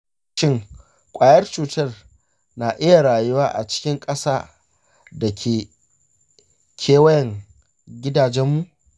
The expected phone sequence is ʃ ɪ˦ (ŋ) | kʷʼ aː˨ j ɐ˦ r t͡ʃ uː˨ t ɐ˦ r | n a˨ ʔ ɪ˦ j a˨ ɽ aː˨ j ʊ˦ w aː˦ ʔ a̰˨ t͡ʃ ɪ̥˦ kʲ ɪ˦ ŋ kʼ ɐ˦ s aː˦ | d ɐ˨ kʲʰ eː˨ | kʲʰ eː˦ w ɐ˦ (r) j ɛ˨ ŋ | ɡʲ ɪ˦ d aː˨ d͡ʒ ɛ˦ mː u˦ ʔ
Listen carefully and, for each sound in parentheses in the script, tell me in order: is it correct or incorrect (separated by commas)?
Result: correct, incorrect